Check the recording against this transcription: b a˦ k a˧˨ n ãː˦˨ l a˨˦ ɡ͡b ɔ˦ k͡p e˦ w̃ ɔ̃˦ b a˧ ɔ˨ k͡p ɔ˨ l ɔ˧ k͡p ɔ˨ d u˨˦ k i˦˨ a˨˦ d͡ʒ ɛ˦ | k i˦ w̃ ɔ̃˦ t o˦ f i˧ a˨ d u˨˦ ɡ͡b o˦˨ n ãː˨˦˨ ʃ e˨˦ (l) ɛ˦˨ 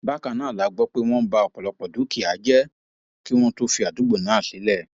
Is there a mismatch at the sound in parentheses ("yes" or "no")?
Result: no